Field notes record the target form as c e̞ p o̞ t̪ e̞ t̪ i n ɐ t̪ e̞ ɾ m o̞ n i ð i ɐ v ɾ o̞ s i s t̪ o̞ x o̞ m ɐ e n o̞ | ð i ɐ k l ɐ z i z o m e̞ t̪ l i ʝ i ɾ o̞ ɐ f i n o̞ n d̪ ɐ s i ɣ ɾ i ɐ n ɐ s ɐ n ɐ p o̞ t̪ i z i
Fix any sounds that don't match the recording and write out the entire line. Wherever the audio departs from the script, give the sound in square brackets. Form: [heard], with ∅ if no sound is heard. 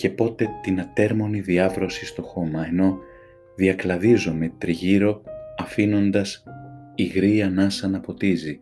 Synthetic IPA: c e̞ p o̞ t̪ e̞ t̪ i n ɐ t̪ e̞ ɾ m o̞ n i ð i ɐ v ɾ o̞ s i s t̪ o̞ x o̞ m ɐ e n o̞ | ð i ɐ k l ɐ [ð] i z o m e̞ t̪ [ɾ] i ʝ i ɾ o̞ ɐ f i n o̞ n d̪ ɐ s i ɣ ɾ i ɐ n ɐ s ɐ n ɐ p o̞ t̪ i z i